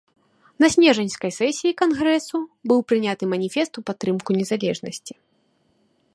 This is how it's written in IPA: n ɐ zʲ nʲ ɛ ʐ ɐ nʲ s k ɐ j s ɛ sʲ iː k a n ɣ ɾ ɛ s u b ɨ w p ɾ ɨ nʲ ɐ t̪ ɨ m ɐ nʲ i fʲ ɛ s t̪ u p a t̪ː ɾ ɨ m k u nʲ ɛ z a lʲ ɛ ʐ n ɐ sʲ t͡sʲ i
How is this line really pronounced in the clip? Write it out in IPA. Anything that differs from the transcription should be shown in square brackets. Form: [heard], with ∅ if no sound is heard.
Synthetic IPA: n ɐ [sʲ] nʲ ɛ ʐ ɐ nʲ s k ɐ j s ɛ sʲ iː k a n ɣ ɾ ɛ s u b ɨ w p ɾ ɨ nʲ [a] t̪ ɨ m ɐ nʲ i fʲ ɛ s t̪ u p a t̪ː ɾ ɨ m k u nʲ ɛ z a lʲ ɛ ʐ n ɐ sʲ t͡sʲ i